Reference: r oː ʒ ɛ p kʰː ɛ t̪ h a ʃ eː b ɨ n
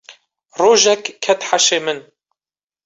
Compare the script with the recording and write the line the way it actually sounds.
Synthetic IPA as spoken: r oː ʒ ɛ k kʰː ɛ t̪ ħ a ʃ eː m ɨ n